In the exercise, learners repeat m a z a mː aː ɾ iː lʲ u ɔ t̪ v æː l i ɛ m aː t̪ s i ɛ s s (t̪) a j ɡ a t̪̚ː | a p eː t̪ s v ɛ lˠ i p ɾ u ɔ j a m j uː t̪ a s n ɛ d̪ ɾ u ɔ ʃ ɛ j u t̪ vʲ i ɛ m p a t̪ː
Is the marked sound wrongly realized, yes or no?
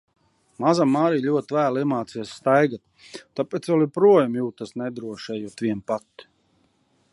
no